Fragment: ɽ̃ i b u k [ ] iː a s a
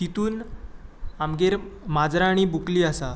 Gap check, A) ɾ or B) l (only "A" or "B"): B